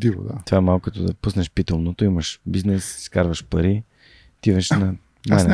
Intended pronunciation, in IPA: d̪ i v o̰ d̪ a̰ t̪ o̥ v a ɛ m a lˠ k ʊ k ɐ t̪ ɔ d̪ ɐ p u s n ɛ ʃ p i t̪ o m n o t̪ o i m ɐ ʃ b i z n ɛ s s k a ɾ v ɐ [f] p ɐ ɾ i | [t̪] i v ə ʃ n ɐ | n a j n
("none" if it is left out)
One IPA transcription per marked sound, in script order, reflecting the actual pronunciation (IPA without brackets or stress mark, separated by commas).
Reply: ʃ, t̪